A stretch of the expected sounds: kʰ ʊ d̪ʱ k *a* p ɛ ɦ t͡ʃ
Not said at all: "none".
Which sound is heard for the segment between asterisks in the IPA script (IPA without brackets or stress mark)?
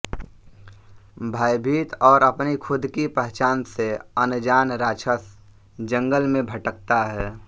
i